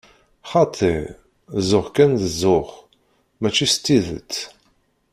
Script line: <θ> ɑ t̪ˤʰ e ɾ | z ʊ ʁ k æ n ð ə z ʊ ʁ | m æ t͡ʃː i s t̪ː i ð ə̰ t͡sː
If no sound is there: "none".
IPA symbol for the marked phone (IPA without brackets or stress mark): χ